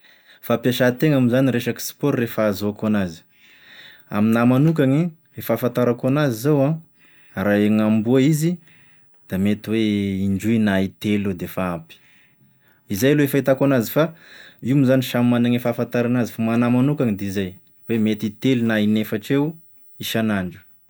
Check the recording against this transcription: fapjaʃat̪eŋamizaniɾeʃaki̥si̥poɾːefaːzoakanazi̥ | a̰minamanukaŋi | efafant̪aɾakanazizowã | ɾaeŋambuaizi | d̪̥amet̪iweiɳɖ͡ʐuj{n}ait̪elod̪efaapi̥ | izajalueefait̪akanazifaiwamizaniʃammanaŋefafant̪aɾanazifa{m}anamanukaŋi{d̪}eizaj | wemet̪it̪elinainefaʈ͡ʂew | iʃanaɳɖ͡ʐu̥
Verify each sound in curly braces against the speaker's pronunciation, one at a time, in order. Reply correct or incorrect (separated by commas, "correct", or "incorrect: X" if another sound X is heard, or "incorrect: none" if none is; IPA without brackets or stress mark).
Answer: correct, correct, correct